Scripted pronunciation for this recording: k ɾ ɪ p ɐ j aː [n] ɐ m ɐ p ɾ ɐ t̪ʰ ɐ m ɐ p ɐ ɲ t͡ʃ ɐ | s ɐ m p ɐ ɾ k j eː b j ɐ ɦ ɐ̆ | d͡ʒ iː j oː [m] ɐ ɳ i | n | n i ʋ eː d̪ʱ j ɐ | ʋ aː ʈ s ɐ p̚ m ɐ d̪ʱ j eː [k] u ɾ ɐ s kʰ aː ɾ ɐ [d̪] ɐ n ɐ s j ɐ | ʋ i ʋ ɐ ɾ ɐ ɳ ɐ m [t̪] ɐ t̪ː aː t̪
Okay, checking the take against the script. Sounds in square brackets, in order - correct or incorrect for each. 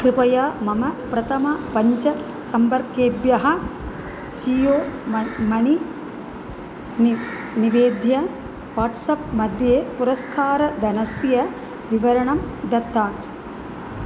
incorrect: m, correct, incorrect: p, correct, incorrect: d̪

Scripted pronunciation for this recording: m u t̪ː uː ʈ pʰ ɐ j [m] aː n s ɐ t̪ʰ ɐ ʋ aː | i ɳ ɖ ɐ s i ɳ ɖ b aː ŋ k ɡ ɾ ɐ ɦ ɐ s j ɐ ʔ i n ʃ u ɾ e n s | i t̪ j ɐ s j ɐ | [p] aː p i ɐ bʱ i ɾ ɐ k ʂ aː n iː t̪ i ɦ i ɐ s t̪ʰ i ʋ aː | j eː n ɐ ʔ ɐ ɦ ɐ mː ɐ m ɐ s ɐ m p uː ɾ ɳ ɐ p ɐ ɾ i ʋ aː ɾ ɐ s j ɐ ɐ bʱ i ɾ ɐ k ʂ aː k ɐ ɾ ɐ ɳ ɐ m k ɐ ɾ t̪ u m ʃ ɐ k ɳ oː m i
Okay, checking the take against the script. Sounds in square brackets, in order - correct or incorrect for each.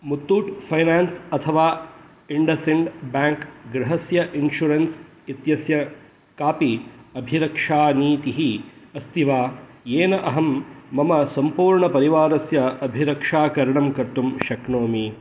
incorrect: n, incorrect: k

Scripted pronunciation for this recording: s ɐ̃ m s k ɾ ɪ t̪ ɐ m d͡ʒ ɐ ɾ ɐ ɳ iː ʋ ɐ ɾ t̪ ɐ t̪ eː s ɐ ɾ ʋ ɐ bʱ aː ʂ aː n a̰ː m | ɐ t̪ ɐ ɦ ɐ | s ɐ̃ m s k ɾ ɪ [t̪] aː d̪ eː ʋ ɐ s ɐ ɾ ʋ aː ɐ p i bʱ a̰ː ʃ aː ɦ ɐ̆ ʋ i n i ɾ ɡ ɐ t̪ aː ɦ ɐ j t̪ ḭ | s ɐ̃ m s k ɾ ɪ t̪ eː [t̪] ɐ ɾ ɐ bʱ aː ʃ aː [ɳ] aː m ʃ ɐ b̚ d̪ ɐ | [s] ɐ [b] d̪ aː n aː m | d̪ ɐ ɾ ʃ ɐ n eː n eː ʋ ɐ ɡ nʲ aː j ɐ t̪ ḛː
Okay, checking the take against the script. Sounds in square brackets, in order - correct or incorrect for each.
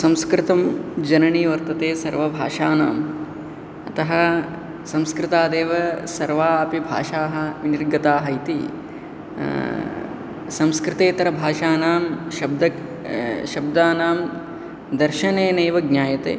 correct, correct, incorrect: n, incorrect: ʃ, correct

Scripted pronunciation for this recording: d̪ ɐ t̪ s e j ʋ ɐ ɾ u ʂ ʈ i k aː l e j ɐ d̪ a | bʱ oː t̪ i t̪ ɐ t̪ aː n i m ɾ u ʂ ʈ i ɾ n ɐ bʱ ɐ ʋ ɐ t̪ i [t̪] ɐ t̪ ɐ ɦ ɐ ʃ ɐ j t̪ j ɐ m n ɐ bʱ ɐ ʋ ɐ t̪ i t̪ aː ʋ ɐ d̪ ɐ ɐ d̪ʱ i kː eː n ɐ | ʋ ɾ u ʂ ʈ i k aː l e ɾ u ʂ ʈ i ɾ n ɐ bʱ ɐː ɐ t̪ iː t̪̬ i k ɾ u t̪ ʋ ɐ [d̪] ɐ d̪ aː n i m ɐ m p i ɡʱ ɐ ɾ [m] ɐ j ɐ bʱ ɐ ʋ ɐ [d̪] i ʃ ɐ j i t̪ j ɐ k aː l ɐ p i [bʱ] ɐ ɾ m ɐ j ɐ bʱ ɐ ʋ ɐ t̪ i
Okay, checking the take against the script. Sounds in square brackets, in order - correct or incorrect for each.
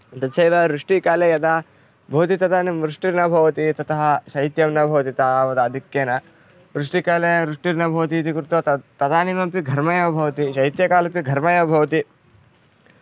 correct, incorrect: t̪, correct, incorrect: t̪, incorrect: ɡʱ

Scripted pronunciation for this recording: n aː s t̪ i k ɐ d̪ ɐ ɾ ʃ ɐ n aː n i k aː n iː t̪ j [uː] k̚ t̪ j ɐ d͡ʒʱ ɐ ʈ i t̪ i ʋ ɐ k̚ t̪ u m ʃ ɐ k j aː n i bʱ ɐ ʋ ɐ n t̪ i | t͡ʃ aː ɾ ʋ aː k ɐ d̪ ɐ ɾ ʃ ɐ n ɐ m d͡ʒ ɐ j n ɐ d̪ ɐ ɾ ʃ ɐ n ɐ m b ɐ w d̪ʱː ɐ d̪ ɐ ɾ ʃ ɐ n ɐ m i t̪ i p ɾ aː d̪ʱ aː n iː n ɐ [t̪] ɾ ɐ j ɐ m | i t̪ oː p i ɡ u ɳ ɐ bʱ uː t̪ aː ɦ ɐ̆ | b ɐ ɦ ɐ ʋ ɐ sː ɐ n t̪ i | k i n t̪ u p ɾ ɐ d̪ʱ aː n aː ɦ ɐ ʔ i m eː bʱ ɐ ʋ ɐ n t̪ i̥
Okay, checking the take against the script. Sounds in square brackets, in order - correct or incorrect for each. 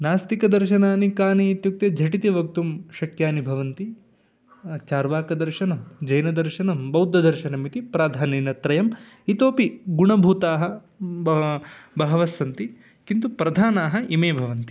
incorrect: u, correct

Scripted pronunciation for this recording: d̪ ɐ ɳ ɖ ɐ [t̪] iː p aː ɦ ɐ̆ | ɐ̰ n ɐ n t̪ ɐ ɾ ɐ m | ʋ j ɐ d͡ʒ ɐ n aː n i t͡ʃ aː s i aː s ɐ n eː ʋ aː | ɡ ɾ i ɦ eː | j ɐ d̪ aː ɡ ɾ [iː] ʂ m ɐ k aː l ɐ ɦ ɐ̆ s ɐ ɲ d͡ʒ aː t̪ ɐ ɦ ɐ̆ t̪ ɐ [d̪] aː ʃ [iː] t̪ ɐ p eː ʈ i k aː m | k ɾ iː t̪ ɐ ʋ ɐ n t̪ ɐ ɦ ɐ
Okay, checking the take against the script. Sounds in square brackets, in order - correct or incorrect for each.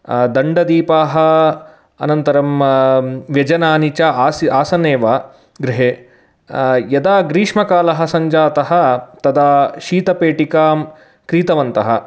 incorrect: d̪, correct, correct, correct

